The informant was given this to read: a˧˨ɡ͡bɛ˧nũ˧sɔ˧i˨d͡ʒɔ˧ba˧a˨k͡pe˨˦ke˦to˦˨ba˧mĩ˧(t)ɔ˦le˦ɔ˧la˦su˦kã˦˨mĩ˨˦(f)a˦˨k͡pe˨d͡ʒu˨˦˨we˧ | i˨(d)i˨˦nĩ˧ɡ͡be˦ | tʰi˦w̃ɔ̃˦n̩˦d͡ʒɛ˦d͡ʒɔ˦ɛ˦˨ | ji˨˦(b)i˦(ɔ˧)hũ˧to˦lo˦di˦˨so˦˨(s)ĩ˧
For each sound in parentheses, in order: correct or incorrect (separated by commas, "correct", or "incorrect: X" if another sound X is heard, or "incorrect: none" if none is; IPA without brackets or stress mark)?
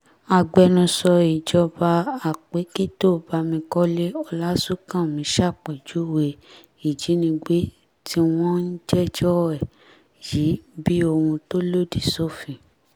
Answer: incorrect: k, incorrect: ʃ, incorrect: d͡ʒ, correct, incorrect: o˧, incorrect: f